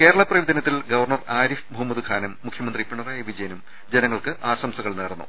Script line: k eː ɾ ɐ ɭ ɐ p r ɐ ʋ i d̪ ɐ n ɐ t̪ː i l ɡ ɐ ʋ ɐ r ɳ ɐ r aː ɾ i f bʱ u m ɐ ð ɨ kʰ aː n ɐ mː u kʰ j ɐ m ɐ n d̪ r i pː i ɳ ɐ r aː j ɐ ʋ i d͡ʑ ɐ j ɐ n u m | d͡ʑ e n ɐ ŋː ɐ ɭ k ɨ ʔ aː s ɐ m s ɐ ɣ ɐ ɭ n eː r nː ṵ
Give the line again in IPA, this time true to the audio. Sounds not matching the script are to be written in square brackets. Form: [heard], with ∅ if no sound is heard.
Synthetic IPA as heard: k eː ɾ ɐ ɭ ɐ p r ɐ ʋ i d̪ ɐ n ɐ t̪ː i l ɡ ɐ ʋ ɐ r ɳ ɐ r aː ɾ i f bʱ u m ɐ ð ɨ kʰ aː n ɐ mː u kʰ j ɐ m ɐ n d̪ r i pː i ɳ ɐ r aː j ɐ ʋ i d͡ʑ ɐ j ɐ n u m | d͡ʑ e n ɐ ŋː ɐ ɭ k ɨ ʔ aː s ɐ m s ɐ ɣ ɐ ɭ n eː r nː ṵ